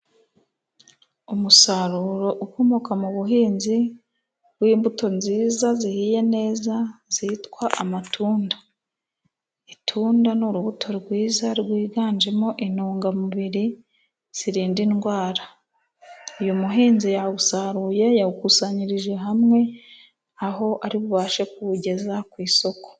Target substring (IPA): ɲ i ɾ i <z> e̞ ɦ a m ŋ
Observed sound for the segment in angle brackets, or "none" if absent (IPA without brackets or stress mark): ʒ